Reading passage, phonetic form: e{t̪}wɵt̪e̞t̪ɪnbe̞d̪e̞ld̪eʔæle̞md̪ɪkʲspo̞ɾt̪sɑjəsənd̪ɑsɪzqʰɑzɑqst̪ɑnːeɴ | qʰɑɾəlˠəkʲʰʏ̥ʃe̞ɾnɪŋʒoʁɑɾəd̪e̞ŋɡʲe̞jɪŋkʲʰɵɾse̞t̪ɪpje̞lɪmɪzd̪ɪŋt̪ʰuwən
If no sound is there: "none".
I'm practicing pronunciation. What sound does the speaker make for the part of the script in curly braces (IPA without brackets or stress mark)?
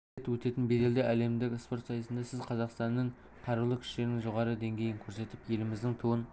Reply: t̪